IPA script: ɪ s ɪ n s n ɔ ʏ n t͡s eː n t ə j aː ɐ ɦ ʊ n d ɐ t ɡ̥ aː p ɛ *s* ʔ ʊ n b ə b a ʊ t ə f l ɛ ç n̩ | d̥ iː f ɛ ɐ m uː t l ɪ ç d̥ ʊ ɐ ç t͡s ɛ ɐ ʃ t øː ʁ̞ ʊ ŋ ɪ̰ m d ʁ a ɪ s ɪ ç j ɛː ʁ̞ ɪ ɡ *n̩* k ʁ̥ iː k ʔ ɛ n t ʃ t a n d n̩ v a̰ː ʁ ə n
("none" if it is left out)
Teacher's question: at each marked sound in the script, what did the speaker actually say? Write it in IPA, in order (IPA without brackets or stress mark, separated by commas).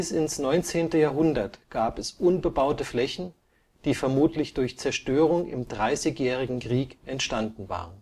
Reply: s, ŋ̩